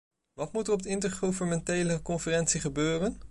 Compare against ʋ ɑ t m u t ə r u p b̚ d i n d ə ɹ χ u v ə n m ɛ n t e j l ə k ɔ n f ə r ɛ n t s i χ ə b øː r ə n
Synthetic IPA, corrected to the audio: ʋ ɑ t m u t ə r ɔ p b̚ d ɪ n t ə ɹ χ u v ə n m ɛ n t e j l ə k ɔ n f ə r ɛ n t s i χ ə b øː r ə n